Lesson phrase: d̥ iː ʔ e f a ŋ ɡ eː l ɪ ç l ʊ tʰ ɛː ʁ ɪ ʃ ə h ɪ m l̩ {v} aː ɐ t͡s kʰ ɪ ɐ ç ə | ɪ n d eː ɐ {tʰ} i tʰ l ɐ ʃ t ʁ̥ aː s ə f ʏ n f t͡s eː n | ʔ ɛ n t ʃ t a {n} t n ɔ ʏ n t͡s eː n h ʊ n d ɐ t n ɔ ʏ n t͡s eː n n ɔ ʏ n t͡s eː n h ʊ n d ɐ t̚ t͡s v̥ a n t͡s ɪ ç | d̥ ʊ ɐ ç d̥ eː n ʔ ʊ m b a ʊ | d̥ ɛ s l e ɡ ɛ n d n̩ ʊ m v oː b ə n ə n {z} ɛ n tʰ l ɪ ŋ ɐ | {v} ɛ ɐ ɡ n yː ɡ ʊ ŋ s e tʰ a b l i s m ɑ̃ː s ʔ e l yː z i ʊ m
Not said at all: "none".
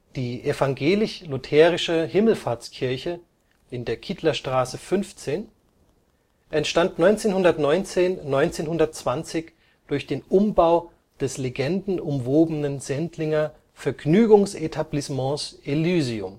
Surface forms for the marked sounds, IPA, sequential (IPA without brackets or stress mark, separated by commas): f, kʰ, n, z, f